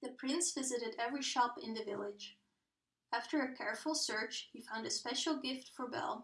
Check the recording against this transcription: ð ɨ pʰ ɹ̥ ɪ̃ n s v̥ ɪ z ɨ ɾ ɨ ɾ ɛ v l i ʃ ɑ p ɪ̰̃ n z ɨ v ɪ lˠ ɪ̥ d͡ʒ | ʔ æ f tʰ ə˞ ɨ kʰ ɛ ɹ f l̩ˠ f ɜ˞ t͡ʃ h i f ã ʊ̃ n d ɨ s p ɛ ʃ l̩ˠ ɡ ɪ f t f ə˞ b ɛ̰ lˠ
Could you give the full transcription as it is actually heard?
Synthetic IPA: ð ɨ pʰ ɹ̥ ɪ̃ n s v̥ ɪ z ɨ ɾ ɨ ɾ ɛ v ɹ i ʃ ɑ p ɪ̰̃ n ð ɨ v ɪ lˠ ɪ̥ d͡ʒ | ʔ æ f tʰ ə˞ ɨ kʰ ɛ ɹ f l̩ˠ s ɜ˞ t͡ʃ h i f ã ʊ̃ n d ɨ s p ɛ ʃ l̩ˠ ɡ ɪ f t f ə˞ b ɛ̰ lˠ